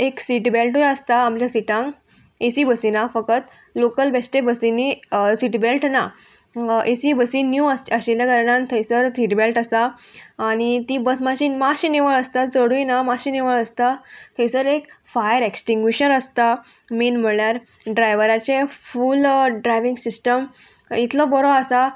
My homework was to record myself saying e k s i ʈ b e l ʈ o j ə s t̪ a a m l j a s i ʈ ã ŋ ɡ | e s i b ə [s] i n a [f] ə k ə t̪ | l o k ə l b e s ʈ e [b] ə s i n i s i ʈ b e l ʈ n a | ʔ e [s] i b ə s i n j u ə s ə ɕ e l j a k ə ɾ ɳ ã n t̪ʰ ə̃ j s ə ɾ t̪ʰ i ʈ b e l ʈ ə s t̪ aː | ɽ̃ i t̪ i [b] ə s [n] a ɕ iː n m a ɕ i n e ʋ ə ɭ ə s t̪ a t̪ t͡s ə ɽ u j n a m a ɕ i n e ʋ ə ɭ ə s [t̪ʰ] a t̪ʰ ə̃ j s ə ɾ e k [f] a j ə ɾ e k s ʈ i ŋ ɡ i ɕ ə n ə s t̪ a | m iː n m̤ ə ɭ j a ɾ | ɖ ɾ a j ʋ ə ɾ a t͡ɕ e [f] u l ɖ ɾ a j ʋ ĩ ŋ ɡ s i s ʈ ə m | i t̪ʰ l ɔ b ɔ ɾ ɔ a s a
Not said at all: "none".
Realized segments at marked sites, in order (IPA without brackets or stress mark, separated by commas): s, f, b, s, b, m, t̪, f, f